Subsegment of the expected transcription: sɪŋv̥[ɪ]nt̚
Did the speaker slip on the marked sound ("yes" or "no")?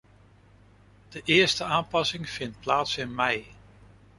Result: no